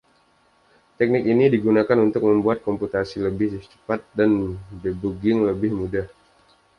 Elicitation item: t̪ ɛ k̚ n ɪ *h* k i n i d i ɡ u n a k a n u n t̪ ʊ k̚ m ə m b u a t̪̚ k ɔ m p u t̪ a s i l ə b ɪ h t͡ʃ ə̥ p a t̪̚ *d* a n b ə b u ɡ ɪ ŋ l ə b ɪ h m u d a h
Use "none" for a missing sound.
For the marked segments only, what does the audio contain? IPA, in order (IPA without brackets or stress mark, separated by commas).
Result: none, d